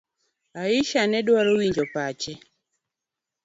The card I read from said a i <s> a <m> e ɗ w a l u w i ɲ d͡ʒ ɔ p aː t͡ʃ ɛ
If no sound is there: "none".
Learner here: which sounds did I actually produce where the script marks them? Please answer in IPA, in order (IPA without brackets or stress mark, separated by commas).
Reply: ʃ, n